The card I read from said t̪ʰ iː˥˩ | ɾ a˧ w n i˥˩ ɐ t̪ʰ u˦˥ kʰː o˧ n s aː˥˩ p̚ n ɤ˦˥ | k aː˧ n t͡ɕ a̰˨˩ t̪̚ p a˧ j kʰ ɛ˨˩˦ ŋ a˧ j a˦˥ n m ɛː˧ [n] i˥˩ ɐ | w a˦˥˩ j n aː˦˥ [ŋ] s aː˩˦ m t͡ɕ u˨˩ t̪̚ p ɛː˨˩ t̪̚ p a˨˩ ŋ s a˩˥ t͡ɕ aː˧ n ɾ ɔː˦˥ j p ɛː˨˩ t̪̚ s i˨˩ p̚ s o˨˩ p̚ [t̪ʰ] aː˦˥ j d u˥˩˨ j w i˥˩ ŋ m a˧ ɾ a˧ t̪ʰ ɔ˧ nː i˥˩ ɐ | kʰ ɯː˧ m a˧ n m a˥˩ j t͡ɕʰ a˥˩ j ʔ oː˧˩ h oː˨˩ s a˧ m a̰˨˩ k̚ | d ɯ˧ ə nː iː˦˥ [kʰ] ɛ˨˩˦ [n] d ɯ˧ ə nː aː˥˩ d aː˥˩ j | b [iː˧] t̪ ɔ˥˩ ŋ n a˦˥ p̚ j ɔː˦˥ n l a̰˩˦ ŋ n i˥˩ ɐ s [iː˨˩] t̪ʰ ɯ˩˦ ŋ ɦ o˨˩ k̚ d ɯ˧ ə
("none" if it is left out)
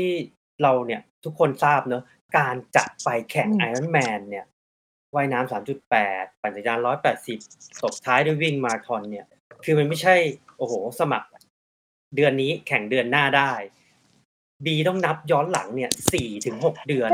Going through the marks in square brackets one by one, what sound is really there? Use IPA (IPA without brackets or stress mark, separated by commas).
nː, m, t̪ʰ, kʰ, ŋ, iː˧, iː˨˩